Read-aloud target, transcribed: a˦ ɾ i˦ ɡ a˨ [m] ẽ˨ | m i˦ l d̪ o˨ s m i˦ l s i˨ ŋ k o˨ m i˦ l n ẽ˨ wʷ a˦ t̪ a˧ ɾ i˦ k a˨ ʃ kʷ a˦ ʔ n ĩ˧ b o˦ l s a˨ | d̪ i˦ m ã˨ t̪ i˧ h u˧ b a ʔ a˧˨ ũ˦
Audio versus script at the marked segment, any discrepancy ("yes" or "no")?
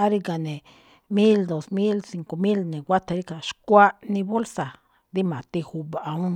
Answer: yes